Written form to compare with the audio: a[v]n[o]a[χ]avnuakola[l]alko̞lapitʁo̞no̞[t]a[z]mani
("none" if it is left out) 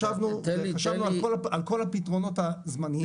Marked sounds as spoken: v, u, ʃ, none, t, z

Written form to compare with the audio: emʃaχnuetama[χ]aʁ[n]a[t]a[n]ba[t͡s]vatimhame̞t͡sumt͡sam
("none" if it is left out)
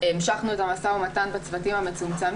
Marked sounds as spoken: s, m, t, n, t͡s

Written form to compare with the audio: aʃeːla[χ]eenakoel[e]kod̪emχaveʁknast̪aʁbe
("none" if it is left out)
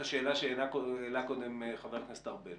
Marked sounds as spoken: ʃ, a

